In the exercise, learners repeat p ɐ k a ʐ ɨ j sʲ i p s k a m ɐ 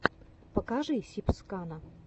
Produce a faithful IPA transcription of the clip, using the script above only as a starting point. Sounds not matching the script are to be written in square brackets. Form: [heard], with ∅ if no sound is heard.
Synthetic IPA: p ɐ k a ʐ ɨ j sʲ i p s k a [n] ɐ